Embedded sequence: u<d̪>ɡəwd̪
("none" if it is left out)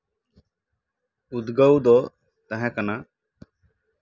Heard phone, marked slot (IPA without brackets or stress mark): d̪